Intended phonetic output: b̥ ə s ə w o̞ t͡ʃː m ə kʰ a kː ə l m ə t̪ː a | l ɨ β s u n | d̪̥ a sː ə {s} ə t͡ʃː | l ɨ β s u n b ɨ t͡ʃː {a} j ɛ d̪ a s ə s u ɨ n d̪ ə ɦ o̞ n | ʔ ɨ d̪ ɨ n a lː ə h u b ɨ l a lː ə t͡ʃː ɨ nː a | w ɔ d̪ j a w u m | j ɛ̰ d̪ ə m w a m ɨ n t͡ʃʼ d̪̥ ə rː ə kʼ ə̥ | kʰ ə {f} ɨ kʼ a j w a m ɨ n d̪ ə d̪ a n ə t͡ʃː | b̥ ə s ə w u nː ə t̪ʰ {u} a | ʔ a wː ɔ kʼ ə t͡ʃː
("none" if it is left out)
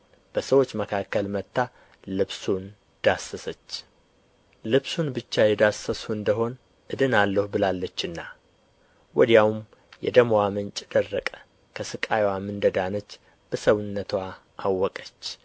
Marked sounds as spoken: s, a, s, w

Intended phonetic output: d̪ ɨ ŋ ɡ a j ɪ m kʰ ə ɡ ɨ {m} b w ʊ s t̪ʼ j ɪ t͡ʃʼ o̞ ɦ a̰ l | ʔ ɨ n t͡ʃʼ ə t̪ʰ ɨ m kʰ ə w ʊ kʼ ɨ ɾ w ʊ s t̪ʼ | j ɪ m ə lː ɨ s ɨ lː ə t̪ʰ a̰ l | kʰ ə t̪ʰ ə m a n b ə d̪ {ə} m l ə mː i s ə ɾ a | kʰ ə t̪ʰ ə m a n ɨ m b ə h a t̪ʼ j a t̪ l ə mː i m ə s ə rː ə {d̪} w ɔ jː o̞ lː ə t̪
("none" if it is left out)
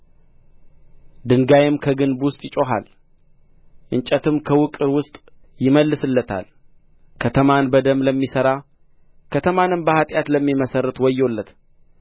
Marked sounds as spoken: n, ə, t̪

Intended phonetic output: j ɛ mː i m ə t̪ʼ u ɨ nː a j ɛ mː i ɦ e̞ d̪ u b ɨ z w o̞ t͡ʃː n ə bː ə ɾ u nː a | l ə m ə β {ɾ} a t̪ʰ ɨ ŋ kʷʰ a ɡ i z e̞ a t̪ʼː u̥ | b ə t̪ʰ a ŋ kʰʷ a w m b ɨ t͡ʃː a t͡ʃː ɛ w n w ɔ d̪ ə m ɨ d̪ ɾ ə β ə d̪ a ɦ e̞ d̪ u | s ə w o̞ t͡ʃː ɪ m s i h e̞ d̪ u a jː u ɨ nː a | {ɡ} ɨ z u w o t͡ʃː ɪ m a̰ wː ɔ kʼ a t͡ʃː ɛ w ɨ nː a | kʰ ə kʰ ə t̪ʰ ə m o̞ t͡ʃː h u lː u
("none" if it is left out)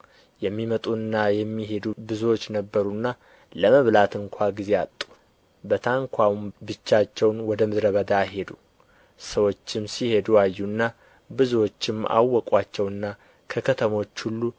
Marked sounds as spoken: l, b

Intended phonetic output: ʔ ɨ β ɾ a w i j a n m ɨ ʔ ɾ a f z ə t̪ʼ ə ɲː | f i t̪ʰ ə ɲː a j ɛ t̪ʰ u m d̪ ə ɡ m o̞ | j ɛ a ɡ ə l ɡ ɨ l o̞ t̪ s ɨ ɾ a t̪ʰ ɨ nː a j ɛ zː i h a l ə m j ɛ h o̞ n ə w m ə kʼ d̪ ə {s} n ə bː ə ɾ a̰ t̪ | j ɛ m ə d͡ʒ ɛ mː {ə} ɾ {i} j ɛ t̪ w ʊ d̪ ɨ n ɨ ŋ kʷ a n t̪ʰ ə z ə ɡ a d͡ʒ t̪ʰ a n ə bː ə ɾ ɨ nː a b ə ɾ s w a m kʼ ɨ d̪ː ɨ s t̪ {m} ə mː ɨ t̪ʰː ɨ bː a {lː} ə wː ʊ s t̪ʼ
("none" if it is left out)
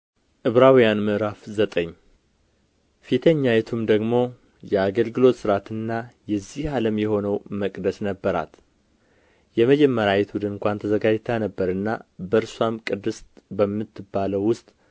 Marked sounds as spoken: s, ə, a, b, l

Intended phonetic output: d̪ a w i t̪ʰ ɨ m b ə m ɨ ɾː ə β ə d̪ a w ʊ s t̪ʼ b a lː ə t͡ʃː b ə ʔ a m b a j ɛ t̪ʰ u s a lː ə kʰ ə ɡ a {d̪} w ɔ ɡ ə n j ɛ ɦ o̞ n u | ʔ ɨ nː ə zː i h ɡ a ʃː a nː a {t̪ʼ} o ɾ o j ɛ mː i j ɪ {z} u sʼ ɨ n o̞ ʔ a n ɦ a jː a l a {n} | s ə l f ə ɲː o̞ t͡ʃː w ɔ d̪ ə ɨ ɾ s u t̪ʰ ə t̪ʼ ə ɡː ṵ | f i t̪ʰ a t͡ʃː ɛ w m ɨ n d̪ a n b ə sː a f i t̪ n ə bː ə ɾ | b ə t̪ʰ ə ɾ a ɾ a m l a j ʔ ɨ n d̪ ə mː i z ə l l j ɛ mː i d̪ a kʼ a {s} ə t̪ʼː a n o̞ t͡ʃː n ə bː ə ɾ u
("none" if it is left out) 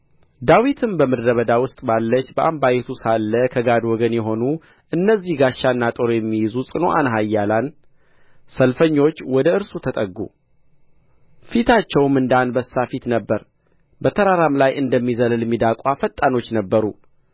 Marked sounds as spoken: d̪, t̪ʼ, z, n, f

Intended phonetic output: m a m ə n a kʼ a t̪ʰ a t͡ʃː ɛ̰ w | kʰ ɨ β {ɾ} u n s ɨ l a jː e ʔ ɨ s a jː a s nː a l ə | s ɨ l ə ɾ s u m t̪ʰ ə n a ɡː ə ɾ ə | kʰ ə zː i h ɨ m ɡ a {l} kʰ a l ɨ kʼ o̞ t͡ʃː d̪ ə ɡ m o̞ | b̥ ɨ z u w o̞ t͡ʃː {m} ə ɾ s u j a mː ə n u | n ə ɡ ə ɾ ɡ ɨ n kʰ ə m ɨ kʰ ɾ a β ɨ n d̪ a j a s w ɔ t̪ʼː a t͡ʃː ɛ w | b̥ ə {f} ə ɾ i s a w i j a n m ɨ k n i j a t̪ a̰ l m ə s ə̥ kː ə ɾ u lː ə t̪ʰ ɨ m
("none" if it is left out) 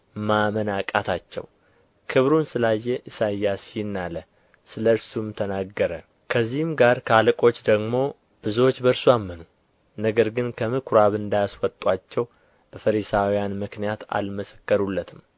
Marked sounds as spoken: ɾ, ɾ, b, f

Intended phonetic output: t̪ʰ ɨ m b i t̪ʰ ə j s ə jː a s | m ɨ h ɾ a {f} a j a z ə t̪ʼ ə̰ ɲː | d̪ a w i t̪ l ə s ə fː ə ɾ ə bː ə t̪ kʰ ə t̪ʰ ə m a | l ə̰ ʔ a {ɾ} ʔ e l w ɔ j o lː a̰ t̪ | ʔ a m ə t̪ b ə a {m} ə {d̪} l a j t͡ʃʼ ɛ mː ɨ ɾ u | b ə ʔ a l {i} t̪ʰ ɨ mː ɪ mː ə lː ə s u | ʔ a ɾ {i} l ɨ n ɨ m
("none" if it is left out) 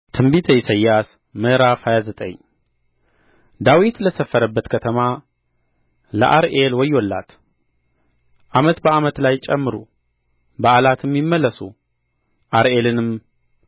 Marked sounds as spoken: f, ɾ, m, t̪, a, e

